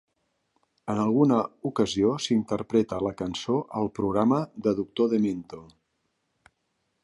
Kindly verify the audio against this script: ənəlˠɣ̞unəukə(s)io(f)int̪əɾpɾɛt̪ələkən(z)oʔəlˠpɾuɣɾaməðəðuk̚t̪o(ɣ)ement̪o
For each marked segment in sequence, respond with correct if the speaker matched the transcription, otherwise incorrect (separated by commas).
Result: incorrect, incorrect, incorrect, incorrect